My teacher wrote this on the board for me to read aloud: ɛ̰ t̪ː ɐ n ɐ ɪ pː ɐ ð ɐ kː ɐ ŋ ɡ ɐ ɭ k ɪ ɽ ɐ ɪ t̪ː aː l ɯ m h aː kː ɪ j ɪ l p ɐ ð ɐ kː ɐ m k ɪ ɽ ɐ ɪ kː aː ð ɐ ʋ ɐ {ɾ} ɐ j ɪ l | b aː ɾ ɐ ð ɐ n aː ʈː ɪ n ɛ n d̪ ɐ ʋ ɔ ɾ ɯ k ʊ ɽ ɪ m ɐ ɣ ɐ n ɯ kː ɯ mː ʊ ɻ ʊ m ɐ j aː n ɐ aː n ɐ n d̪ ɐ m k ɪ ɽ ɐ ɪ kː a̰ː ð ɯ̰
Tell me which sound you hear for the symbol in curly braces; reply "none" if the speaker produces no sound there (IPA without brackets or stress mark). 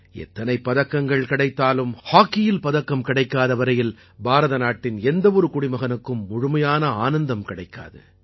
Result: ɾ